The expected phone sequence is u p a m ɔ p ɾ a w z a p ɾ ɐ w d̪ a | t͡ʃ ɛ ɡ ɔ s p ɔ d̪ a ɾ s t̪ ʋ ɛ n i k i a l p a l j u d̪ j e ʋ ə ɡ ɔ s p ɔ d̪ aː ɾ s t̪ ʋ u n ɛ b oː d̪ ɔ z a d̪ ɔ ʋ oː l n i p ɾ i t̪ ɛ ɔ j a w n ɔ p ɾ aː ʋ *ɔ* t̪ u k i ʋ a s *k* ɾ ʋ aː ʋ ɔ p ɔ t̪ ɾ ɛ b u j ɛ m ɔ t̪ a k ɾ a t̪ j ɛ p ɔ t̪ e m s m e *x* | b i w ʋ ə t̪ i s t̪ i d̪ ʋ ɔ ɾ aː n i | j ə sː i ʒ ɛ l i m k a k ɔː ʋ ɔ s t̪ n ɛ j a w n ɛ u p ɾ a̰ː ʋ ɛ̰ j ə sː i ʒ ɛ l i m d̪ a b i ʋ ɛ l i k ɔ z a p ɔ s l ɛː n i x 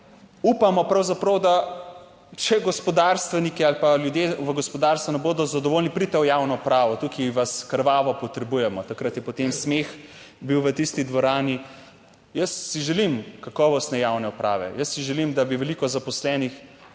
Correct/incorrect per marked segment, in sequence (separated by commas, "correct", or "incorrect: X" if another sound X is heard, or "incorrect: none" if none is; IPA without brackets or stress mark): correct, correct, correct